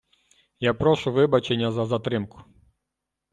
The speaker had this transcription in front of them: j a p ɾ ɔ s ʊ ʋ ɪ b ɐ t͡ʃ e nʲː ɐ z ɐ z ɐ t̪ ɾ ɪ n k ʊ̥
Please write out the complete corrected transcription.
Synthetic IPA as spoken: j a p ɾ ɔ ʃ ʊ ʋ ɪ b ɐ t͡ʃ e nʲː ɐ z ɐ z ɐ t̪ ɾ ɪ m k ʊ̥